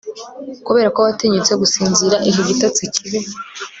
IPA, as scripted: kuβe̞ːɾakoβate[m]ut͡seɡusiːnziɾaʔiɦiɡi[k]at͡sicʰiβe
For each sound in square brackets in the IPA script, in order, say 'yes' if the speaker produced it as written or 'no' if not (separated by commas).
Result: no, no